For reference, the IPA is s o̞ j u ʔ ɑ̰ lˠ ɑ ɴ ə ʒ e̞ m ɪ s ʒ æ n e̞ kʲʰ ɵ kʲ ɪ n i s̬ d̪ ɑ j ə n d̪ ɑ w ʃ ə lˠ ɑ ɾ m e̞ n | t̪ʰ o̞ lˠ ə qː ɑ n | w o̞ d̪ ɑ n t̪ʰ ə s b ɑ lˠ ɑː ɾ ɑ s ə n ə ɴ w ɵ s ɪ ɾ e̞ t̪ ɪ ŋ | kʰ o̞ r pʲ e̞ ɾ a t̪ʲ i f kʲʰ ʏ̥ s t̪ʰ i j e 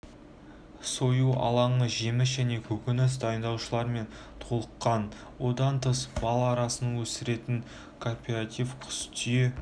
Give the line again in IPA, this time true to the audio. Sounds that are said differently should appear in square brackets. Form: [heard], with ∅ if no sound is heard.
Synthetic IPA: s o̞ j u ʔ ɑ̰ lˠ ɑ ɴ ə ʒ e̞ m ɪ s ʒ æ n e̞ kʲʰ ɵ kʲ ɪ n [ɪ] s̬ d̪ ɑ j ə n d̪ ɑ w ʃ ə lˠ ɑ ɾ m e̞ n | t̪ʰ o̞ lˠ ə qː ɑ n | w o̞ d̪ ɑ n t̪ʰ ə s b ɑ lˠ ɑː ɾ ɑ s ə n ə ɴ w ɵ s ɪ ɾ e̞ t̪ ɪ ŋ | kʰ o̞ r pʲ e̞ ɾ a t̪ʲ i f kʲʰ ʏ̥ s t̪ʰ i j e